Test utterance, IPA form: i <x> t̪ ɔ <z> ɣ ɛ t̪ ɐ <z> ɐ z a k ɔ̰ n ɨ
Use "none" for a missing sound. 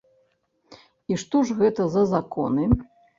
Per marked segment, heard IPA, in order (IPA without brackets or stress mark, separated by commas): ʂ, ʐ, z